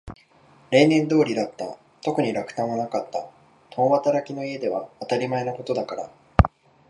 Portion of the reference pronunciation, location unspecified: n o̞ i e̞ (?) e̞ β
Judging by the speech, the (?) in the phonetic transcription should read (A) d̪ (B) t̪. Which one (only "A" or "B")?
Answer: A